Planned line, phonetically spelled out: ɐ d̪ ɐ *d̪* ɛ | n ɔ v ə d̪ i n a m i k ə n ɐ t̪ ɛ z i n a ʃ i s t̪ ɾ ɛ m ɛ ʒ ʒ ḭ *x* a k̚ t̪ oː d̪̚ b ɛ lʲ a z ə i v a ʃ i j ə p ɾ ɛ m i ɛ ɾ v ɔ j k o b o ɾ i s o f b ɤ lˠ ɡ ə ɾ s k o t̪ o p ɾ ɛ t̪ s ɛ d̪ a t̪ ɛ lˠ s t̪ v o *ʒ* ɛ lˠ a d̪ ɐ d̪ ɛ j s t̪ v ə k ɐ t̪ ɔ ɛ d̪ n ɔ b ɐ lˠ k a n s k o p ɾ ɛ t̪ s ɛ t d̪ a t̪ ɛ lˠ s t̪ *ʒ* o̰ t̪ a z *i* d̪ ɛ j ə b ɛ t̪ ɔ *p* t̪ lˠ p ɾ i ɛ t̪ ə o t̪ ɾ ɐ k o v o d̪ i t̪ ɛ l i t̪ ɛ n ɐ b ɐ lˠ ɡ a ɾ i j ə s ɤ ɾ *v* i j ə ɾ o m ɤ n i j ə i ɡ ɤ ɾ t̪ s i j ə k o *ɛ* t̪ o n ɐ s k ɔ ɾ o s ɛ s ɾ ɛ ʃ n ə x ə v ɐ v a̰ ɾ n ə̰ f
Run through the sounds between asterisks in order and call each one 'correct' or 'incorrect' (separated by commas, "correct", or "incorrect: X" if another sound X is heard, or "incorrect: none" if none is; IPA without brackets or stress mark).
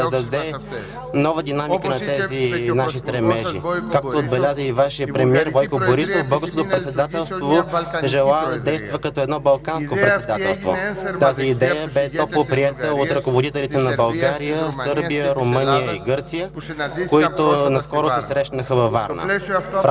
correct, incorrect: k, correct, incorrect: v, incorrect: iː, correct, incorrect: b, incorrect: i